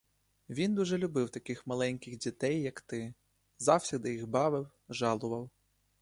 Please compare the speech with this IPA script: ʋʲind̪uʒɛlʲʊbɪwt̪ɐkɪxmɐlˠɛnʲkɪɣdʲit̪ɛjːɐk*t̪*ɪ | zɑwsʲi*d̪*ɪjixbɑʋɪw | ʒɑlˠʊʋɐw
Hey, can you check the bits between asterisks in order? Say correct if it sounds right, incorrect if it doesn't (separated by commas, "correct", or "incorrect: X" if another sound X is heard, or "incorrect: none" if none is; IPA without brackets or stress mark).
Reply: correct, correct